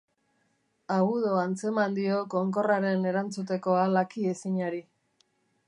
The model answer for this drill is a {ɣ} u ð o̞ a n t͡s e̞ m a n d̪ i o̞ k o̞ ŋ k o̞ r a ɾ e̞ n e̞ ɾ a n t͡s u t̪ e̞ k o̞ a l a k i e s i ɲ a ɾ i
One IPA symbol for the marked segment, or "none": ɣ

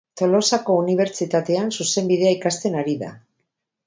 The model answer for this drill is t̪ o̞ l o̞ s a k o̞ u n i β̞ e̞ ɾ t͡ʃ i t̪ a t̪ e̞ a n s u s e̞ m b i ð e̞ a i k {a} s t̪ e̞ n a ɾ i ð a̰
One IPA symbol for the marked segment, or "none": a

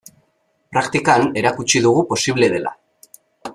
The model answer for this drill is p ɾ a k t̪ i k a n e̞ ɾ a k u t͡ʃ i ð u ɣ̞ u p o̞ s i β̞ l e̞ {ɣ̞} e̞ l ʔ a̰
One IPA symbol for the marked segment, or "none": ð̞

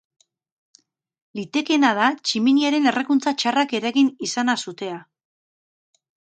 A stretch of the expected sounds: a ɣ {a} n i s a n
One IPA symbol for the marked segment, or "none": i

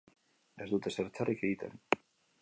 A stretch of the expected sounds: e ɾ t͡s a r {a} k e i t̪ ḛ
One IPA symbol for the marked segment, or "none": i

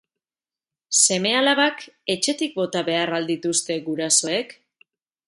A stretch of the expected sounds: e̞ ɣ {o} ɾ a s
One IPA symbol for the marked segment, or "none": u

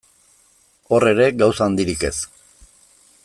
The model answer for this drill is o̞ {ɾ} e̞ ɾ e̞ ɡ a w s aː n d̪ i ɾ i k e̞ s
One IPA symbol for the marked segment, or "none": r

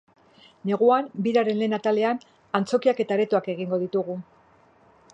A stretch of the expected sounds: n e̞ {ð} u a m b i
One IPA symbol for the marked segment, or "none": ɣ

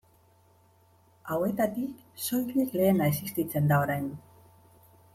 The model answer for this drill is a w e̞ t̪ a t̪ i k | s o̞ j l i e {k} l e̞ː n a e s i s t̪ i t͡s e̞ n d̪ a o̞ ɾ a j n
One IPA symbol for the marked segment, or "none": k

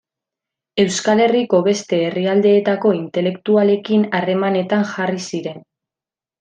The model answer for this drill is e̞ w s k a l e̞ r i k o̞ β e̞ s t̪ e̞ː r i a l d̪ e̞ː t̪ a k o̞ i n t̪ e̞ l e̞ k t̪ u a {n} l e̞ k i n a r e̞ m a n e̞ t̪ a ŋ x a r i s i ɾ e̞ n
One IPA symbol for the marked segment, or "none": none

